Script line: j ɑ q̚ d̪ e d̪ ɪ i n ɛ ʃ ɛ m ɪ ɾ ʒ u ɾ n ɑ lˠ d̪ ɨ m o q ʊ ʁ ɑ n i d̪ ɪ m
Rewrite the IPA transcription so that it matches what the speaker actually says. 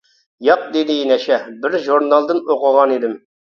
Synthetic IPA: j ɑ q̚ d̪ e d̪ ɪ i n ɛ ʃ ɛ b ɪ ɾ ʒ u ɾ n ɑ lˠ d̪ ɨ n o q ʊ ʁ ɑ n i d̪ ɪ m